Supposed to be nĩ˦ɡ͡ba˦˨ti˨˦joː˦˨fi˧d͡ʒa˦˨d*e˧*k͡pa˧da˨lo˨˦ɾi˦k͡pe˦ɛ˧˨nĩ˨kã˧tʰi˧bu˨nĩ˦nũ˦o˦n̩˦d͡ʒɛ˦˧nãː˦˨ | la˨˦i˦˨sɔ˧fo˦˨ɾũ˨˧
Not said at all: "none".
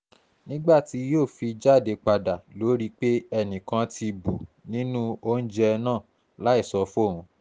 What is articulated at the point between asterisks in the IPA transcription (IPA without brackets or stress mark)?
e˧